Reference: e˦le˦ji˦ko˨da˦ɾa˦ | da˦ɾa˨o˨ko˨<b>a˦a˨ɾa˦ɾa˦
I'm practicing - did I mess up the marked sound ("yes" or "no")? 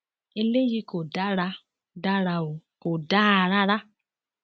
yes